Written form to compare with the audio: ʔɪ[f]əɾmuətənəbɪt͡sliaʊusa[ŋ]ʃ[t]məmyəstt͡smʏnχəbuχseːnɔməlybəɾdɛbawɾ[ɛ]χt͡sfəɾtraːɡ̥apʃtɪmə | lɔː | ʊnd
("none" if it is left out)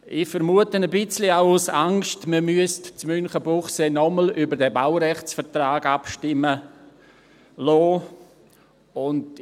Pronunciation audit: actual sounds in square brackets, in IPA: f, ŋ, t, ɛ

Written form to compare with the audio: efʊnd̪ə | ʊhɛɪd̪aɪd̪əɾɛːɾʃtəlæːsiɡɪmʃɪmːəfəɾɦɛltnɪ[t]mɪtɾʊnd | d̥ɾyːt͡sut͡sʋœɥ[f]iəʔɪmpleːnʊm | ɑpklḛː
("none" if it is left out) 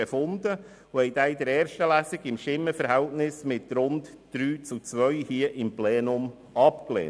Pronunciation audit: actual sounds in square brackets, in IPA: s, h

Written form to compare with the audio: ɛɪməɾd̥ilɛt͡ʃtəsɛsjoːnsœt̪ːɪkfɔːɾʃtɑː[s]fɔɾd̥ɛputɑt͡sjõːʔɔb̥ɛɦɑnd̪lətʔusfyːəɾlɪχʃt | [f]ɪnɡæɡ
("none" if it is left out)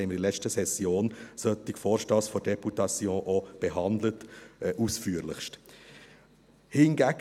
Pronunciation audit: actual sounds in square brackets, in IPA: s, h

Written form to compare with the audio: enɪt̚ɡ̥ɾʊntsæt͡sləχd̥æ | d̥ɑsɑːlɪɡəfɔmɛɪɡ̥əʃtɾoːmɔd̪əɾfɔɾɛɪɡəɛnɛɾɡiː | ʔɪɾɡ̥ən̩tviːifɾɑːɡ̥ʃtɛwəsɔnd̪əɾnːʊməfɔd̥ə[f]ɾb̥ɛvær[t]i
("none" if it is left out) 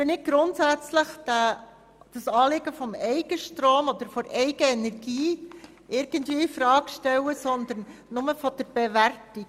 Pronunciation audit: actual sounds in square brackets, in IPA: none, t

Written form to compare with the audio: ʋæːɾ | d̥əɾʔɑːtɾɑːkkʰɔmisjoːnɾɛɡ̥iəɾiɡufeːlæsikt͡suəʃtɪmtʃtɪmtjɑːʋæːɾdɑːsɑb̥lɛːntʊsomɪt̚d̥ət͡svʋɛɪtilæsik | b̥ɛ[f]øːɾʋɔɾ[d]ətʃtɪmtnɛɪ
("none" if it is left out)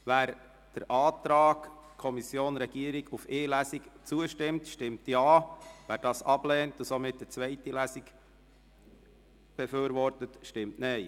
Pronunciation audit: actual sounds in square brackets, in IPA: f, t

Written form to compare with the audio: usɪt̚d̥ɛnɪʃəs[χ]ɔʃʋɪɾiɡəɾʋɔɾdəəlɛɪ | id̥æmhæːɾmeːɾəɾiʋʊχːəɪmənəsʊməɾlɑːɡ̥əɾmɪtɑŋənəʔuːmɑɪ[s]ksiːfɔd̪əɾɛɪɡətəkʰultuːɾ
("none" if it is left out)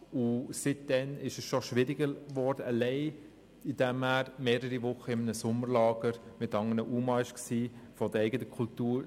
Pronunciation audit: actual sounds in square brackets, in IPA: ʃ, ʃ

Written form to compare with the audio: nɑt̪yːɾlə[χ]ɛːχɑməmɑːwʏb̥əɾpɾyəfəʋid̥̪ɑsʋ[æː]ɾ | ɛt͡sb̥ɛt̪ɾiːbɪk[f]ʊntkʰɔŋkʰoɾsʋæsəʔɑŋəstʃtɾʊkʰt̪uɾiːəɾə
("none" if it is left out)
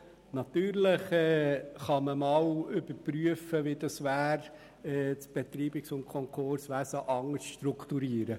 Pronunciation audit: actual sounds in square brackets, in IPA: χ, æː, s

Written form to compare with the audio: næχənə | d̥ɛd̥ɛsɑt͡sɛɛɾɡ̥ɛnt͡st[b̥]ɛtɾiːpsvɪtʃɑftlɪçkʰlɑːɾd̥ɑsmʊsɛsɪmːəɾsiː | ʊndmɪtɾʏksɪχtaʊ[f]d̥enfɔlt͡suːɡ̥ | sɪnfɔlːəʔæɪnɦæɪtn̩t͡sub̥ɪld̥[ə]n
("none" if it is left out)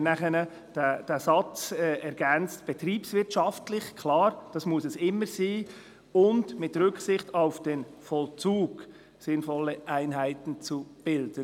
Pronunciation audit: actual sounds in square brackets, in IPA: b̥, f, ə

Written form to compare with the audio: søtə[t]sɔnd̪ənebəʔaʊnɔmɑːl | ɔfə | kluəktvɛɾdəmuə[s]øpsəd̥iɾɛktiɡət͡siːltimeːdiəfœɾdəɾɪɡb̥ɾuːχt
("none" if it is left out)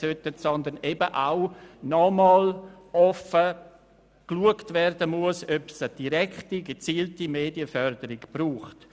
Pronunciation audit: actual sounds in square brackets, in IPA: t, s

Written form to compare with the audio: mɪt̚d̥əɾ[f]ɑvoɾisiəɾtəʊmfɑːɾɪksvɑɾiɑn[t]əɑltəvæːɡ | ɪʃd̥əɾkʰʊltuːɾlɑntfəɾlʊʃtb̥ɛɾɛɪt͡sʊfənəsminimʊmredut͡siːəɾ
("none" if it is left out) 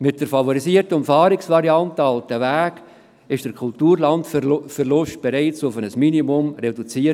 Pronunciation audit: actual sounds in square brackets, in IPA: f, t

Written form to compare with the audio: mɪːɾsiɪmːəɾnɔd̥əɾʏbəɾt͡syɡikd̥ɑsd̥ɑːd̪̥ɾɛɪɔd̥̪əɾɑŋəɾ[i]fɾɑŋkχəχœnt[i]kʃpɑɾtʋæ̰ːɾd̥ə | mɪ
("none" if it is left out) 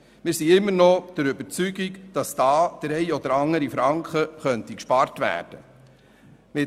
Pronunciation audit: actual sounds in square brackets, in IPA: i, i

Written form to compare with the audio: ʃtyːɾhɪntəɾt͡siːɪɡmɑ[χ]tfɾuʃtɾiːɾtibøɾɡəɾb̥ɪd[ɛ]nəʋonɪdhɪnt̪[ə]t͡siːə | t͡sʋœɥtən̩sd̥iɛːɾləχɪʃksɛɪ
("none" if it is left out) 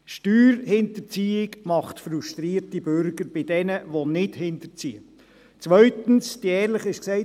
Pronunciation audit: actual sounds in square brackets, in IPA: χ, ɛ, ə

